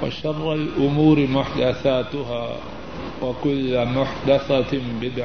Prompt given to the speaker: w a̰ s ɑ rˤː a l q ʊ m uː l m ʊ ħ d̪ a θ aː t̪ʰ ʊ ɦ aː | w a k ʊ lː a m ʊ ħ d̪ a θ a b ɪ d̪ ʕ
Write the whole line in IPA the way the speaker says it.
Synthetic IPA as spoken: w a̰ ʃ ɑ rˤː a l ʔ ʊ m uː ɾ m ʊ ħ d̪ a θ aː t̪ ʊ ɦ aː | w a k ʊ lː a m ʊ ħ d̪ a θ a b ɪ d̪ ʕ